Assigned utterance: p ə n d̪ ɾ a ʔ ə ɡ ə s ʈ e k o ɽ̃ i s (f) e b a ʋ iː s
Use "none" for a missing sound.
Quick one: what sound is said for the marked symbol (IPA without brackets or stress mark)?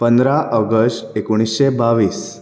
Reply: ɕ